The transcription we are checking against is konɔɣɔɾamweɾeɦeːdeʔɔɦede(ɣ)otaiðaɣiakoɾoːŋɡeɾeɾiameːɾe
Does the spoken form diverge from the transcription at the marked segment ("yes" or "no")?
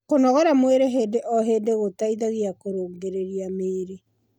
no